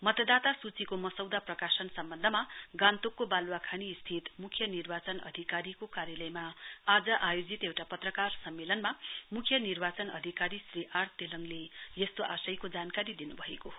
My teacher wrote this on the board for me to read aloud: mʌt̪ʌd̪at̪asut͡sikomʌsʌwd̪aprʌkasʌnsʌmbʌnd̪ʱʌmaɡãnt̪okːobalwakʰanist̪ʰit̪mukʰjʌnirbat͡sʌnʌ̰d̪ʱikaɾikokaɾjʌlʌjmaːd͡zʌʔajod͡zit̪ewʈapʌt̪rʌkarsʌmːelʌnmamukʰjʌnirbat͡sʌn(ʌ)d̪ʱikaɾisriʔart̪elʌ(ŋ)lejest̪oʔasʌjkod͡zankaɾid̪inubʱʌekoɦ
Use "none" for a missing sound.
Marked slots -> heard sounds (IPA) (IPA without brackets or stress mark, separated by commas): ʌ, ŋ